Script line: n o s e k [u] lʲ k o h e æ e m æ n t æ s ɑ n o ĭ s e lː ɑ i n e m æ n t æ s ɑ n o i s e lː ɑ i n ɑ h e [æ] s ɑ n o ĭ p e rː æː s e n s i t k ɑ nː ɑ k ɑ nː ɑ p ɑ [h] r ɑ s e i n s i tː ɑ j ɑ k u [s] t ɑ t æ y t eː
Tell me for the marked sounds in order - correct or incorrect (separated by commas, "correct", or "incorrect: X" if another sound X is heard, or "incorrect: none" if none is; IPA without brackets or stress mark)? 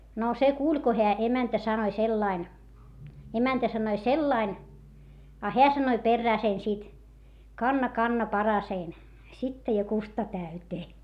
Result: incorrect: uː, correct, incorrect: none, correct